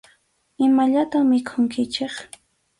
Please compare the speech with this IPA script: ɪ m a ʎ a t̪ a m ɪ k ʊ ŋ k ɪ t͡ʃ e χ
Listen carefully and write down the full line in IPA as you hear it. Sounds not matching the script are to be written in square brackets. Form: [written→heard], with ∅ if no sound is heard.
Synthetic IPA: ɪ m a ʎ a t̪ a m ɪ [k→kʰ] ʊ ŋ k ɪ t͡ʃ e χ